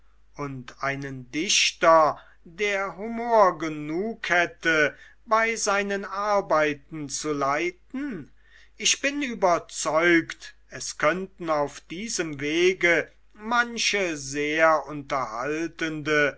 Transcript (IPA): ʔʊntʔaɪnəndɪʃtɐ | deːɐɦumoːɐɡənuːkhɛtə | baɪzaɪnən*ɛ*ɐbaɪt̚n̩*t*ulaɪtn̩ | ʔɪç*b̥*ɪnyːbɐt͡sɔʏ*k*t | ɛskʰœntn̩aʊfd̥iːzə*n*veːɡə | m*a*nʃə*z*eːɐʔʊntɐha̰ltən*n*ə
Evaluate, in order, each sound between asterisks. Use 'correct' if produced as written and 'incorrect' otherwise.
incorrect: a, incorrect: t͡s, correct, correct, incorrect: m, correct, correct, incorrect: d

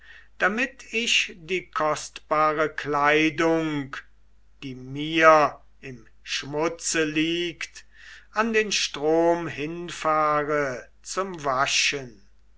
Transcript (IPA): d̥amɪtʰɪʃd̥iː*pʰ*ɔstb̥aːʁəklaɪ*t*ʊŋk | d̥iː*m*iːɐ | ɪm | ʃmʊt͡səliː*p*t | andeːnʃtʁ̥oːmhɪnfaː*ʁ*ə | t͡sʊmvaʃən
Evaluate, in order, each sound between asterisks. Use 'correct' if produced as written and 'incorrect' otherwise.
incorrect: kʰ, incorrect: d, correct, incorrect: k, correct

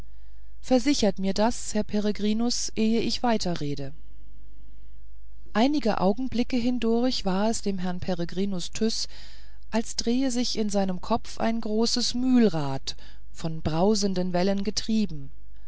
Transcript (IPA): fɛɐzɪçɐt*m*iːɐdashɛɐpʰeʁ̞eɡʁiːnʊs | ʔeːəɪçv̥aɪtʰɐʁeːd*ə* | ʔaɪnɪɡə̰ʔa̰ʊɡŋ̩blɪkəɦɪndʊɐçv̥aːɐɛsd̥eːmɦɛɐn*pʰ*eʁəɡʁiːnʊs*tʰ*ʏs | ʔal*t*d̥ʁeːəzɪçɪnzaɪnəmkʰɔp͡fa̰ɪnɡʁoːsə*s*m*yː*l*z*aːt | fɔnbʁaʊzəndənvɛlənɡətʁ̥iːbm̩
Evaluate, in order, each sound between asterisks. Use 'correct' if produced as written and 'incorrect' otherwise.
correct, correct, correct, correct, incorrect: s, correct, correct, incorrect: ʁ

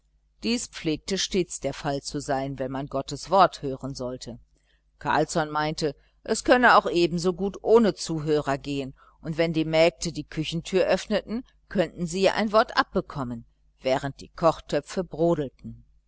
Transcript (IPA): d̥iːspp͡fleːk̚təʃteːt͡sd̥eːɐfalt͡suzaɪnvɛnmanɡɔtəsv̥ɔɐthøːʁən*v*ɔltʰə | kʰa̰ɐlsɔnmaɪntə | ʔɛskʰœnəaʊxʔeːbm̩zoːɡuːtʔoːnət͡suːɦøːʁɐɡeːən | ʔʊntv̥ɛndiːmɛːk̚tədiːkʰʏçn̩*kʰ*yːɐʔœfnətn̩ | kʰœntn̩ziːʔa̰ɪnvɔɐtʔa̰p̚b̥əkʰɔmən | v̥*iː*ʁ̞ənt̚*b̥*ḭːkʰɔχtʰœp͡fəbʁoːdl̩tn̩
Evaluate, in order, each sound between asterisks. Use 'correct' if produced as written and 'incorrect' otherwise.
incorrect: z, incorrect: tʰ, incorrect: ɛː, incorrect: d̥

